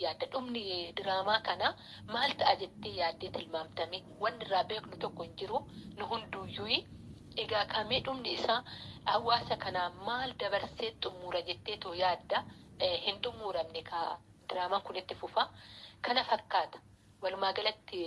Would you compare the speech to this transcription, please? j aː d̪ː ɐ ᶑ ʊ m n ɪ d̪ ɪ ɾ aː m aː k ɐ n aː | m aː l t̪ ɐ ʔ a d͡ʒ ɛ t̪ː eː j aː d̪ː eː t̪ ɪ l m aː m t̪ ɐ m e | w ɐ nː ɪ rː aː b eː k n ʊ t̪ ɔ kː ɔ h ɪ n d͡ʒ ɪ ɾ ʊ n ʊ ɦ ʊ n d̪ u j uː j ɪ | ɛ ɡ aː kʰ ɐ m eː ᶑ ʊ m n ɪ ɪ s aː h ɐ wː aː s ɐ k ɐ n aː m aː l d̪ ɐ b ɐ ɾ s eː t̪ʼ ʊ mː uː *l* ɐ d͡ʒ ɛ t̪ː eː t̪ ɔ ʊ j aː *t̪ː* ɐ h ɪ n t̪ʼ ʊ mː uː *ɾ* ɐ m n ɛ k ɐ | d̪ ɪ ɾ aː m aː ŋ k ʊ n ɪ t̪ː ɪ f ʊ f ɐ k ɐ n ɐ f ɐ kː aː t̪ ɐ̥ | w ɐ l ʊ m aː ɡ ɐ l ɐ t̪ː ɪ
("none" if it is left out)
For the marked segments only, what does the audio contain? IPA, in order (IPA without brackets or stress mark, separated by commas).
ɾ, d̪ː, ɾ